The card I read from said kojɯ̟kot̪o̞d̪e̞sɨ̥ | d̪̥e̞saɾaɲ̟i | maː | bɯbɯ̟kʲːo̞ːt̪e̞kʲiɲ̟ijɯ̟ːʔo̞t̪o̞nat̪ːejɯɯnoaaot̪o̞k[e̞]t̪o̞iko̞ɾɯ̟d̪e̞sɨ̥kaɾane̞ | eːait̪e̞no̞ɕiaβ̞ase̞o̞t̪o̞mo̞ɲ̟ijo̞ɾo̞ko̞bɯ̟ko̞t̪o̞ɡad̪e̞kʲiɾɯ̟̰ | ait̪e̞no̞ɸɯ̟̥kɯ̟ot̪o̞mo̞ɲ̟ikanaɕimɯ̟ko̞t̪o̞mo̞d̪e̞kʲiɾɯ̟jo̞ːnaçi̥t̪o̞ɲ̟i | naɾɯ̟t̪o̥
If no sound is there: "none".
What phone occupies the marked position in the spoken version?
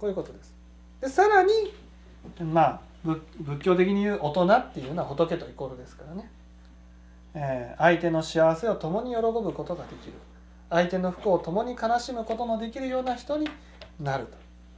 e̞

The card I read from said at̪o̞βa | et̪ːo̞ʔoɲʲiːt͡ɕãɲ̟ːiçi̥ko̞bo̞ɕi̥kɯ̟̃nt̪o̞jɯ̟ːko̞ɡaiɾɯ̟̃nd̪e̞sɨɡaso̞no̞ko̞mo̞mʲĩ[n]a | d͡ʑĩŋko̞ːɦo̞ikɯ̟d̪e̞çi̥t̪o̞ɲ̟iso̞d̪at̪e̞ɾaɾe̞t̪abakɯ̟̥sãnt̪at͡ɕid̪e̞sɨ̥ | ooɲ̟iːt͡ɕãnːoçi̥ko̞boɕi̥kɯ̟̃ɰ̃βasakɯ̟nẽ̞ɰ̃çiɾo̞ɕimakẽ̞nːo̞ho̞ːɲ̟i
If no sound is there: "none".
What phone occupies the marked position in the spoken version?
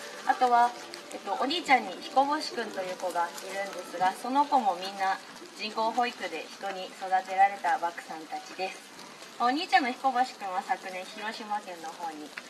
nː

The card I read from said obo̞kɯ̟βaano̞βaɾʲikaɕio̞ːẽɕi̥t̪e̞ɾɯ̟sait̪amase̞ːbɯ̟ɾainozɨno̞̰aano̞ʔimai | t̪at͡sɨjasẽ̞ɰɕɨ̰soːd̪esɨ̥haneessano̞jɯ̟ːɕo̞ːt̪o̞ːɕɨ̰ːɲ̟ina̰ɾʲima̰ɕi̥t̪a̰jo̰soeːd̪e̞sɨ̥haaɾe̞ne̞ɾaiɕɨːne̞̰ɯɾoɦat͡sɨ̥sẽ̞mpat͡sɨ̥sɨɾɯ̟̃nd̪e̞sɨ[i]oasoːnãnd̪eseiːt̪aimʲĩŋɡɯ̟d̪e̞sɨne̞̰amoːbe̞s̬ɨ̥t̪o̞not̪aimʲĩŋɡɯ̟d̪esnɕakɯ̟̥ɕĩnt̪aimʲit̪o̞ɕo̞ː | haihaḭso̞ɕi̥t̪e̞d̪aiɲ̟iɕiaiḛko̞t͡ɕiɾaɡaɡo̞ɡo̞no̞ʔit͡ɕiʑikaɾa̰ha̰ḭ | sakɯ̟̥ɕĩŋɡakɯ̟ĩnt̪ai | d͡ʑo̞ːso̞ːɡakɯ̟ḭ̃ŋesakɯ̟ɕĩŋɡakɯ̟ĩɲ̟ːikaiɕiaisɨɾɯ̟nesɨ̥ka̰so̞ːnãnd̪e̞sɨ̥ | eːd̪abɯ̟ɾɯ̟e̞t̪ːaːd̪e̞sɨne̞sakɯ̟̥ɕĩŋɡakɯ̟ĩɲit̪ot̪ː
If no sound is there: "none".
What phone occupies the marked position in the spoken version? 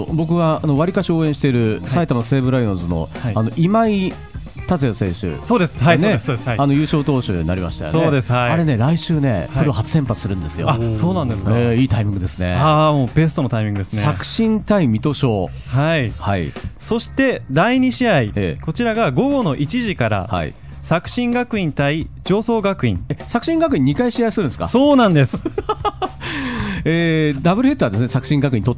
j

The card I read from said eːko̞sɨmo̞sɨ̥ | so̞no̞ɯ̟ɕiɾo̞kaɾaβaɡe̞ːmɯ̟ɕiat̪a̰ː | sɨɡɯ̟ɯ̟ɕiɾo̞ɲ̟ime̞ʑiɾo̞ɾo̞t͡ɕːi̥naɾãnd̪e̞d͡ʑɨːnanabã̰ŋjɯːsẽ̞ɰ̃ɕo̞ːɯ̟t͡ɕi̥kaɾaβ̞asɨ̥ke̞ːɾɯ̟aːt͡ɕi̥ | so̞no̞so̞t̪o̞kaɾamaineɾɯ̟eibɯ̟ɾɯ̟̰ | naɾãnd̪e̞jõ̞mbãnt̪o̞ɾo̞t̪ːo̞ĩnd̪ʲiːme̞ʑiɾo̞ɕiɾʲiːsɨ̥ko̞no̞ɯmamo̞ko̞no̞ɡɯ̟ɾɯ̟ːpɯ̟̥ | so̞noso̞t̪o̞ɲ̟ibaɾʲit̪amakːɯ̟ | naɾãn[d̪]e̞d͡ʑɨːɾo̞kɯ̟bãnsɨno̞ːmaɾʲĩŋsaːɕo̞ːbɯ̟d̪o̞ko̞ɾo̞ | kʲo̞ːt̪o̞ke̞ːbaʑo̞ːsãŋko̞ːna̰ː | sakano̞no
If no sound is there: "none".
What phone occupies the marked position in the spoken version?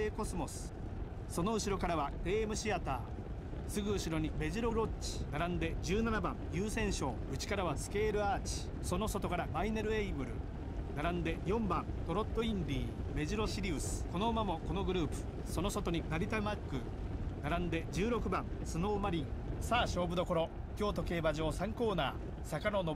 d̪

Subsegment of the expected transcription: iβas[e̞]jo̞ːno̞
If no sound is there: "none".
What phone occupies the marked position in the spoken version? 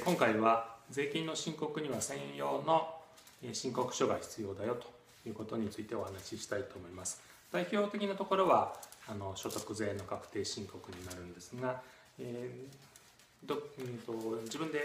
ẽ̞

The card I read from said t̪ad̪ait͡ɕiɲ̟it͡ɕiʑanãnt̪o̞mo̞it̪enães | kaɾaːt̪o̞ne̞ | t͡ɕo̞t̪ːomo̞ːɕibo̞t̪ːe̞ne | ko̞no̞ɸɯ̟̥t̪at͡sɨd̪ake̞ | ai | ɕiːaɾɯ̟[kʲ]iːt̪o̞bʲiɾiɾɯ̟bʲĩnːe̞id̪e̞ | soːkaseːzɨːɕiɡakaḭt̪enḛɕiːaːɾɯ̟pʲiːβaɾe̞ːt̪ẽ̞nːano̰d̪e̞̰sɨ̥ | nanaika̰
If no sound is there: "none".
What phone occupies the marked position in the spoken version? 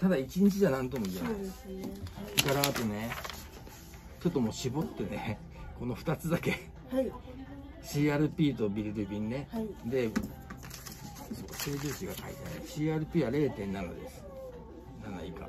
pʲ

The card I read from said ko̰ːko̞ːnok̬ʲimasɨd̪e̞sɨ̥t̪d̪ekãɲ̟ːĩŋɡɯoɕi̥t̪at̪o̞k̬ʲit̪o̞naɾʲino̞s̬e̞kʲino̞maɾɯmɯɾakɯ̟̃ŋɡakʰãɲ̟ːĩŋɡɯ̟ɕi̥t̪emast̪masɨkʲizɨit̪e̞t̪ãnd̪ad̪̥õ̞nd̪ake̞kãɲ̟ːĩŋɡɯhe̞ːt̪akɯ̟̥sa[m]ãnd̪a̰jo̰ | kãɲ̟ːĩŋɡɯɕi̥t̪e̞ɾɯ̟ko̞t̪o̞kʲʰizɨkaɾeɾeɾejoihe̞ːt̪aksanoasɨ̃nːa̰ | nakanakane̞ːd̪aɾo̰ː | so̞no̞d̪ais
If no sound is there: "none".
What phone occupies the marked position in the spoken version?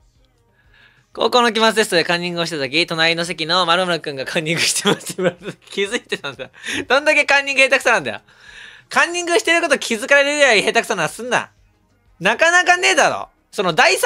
n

